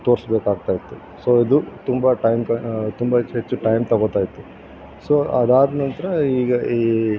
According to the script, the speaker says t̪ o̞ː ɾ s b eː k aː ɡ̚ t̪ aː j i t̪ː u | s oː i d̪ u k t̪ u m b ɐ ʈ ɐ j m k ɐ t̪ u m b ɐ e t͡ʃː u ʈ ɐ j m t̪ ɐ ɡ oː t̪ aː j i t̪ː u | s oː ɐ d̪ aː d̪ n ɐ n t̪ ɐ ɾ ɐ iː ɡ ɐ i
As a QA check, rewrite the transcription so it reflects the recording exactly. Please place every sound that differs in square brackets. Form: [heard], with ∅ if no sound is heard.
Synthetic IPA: t̪ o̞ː ɾ s b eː k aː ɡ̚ t̪ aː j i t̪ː u | s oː i d̪ u [∅] t̪ u m b ɐ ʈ ɐ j m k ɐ t̪ u m b ɐ e t͡ʃː u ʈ ɐ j m t̪ ɐ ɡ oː t̪ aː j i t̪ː u | s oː ɐ d̪ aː d̪ n ɐ n t̪ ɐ ɾ ɐ iː ɡ ɐ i